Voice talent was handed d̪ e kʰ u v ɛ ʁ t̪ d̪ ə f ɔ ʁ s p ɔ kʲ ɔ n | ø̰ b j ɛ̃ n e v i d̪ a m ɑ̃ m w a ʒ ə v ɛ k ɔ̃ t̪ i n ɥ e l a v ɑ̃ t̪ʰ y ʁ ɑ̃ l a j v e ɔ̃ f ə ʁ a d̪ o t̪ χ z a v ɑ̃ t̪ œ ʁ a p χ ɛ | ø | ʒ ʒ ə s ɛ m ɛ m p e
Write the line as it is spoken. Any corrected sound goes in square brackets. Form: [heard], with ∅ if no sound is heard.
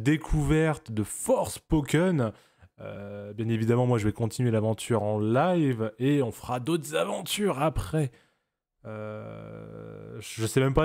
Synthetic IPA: d̪ e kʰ u v ɛ ʁ t̪ d̪ ə f ɔ ʁ s p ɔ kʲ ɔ n | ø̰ b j ɛ̃ n e v i d̪ a m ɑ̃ m w a ʒ ə v ɛ k ɔ̃ t̪ i n ɥ e l a v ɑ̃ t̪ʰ y ʁ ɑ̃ l a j v e ɔ̃ f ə ʁ a d̪ o t̪ χ z a v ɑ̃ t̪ [y] ʁ a p χ ɛ | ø | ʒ ʒ ə s ɛ m ɛ m p [a]